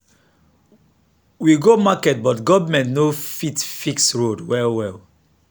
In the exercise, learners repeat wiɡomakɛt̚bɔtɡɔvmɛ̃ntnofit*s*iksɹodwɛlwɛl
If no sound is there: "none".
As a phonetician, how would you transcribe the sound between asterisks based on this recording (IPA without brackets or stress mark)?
f